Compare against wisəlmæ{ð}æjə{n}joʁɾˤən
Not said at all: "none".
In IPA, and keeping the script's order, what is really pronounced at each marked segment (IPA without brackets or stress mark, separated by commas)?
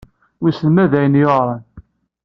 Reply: ð, n